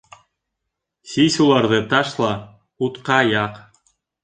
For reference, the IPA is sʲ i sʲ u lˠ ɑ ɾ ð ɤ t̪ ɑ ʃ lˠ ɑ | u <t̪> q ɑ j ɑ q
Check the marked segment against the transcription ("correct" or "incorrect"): correct